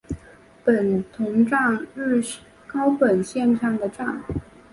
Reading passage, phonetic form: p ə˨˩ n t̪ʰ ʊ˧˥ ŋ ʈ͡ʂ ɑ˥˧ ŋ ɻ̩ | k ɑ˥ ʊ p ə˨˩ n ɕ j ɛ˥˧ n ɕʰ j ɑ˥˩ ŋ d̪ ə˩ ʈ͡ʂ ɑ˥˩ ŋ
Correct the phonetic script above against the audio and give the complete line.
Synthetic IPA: p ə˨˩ n t̪ʰ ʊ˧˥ ŋ ʈ͡ʂ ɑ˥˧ ŋ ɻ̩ | k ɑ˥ ʊ p ə˨˩ n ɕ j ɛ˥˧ n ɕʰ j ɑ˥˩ ŋ d̪ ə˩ ʈ͡ʂ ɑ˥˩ ŋ